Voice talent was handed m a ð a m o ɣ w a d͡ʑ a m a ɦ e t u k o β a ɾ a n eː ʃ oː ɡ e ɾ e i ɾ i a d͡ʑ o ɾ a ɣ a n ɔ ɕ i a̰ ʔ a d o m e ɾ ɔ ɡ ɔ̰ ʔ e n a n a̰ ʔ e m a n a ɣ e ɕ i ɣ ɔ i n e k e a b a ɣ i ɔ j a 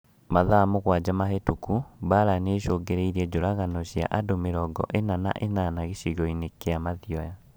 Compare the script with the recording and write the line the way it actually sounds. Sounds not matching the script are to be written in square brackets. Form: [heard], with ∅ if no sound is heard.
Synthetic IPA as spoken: m a ð a m o ɣ w a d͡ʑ a m a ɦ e t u k [u] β a ɾ a n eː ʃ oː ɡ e ɾ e i ɾ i [ɛ] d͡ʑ o ɾ a ɣ a n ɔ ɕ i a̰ ʔ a d o m e ɾ ɔ ɡ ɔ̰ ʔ e n a n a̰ ʔ e [n] a n a ɣ e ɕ i ɣ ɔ i n e k e a [m] a [ð] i ɔ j a